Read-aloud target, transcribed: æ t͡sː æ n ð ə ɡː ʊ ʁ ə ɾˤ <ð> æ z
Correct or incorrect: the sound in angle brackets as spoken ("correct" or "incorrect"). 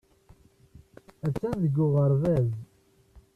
incorrect